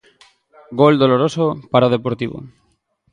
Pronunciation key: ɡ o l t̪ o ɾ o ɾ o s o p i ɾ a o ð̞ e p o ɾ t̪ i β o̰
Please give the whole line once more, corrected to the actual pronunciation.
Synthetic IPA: ɡ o l d̪ o l o ɾ o s o p a ɾ a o ð̞ e p o ɾ t̪ i β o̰